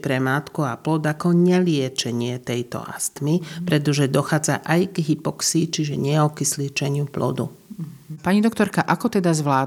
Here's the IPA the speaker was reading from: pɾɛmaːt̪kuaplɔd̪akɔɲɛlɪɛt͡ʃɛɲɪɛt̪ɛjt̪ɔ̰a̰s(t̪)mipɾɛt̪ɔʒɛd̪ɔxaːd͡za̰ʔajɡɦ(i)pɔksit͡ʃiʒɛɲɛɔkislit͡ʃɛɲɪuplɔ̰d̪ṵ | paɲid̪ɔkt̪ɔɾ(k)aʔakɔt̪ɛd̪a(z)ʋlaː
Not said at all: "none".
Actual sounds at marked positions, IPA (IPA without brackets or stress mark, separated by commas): t̪, i, k, z